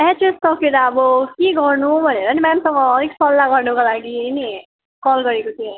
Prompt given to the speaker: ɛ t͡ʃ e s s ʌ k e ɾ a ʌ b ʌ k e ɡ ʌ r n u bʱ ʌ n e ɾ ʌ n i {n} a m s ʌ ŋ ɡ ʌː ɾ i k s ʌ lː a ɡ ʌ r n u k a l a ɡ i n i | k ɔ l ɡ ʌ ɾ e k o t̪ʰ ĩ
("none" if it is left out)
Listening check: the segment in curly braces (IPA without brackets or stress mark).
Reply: m